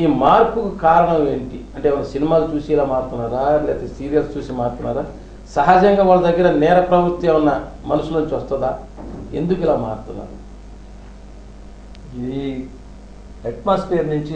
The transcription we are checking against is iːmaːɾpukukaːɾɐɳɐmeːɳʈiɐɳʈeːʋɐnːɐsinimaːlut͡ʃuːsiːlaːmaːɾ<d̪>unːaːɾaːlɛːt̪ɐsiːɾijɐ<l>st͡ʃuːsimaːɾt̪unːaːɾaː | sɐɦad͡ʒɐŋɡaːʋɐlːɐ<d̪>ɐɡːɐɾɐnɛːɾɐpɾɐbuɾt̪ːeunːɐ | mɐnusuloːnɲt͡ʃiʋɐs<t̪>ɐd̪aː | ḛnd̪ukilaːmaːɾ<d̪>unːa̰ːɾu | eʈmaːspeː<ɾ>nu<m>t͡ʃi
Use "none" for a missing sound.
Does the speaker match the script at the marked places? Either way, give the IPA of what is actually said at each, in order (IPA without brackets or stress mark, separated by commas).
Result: t̪, l, d̪, t̪, t̪, ɾ, ɲ